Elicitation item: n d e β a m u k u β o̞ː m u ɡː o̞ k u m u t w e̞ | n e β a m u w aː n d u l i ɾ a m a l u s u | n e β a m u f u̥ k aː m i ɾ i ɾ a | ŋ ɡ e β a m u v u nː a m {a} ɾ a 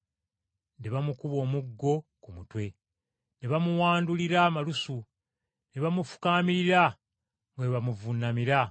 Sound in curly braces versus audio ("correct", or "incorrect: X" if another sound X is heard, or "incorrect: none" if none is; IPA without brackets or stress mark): incorrect: i